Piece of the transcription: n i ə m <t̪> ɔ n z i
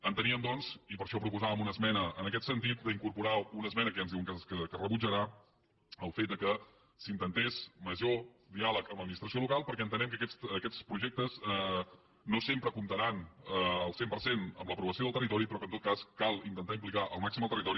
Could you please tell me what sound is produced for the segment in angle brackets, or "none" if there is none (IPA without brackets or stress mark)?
d̪